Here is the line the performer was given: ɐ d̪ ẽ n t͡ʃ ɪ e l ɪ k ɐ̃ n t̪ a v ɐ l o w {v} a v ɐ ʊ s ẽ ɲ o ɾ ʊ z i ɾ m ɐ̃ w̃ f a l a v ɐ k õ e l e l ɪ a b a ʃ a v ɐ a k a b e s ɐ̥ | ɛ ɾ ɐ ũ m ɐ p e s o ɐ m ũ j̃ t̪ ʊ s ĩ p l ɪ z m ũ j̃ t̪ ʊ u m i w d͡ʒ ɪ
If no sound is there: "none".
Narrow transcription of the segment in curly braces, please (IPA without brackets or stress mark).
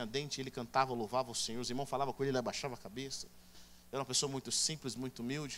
v